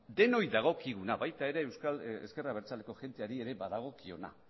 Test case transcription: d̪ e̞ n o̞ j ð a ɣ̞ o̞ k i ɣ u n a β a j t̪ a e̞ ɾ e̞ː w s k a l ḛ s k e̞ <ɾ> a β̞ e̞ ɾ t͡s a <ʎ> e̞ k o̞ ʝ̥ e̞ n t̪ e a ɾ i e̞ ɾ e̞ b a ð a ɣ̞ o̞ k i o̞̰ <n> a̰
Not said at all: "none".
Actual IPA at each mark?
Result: r, l, n

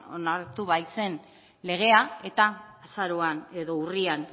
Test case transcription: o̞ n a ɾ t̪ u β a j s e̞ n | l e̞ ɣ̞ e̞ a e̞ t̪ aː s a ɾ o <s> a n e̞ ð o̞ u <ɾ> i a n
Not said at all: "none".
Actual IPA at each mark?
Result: none, r

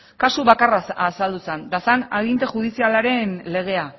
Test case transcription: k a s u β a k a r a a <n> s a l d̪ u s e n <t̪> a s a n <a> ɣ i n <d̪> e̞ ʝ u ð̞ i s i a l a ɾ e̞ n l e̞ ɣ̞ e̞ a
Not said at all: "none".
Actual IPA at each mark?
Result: none, d̪, a, t̪

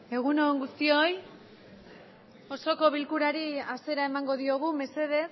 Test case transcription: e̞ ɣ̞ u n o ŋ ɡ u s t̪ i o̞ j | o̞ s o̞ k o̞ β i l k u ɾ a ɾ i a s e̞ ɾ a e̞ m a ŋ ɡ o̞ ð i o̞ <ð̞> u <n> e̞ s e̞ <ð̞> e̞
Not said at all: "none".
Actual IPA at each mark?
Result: ɣ̞, m, ð̞

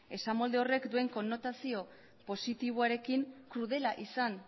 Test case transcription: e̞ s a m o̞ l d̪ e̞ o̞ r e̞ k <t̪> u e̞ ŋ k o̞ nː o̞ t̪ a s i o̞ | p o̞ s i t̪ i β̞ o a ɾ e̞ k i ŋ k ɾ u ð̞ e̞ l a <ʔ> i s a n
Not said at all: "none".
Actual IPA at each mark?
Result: d̪, ʔ

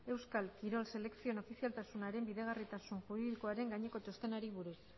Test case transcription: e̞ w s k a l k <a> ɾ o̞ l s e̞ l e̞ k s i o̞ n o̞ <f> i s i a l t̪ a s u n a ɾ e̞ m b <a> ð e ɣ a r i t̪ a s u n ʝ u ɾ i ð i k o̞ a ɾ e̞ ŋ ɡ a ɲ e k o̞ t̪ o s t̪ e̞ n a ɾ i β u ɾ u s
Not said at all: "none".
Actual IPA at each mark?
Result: i, f, i

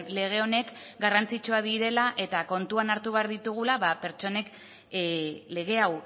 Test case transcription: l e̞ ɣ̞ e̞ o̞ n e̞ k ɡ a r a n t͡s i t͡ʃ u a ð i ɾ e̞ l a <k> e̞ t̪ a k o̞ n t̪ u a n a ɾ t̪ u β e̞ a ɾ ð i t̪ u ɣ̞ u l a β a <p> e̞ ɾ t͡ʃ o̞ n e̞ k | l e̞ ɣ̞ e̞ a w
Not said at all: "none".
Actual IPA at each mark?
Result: ʔ, p

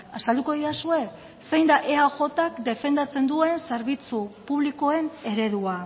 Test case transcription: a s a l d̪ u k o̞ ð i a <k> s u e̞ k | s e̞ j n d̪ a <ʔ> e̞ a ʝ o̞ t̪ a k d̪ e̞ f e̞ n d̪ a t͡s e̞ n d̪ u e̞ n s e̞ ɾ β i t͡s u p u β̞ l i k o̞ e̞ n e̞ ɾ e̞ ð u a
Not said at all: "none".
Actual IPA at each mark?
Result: none, ʔ

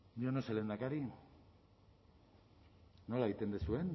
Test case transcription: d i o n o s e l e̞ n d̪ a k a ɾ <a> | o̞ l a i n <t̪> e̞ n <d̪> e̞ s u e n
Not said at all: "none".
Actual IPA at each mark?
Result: i, t̪, d̪

